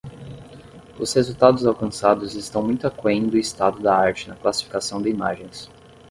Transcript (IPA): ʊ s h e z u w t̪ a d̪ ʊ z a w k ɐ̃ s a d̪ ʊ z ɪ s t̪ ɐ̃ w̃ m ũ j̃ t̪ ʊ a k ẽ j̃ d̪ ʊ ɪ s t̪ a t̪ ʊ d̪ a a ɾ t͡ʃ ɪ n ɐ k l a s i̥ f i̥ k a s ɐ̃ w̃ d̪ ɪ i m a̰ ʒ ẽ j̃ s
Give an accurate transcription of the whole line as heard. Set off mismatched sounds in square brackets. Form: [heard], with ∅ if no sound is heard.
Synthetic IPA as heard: ʊ s h e z u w t̪ a d̪ ʊ z a w k ɐ̃ s a d̪ ʊ z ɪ s t̪ ɐ̃ w̃ m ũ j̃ t̪ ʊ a k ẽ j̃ d̪ ʊ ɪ s t̪ a [d̪] ʊ d̪ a a ɾ t͡ʃ ɪ n ɐ k l a s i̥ f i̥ k a s ɐ̃ w̃ d̪ ɪ i m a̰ ʒ ẽ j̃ s